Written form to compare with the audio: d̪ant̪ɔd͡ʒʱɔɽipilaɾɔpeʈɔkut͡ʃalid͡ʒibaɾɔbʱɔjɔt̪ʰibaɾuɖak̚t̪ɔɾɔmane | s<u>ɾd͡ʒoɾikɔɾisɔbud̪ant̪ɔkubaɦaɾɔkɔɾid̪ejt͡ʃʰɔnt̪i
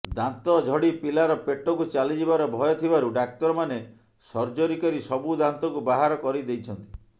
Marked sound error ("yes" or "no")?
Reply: yes